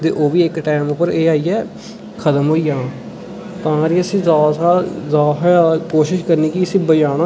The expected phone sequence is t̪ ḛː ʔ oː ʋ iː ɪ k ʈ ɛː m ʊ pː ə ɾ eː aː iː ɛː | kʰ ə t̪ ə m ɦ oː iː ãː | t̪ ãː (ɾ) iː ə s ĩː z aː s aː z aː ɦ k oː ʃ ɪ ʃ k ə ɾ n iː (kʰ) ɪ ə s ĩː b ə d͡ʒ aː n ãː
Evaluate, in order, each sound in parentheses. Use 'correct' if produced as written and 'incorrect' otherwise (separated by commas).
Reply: correct, incorrect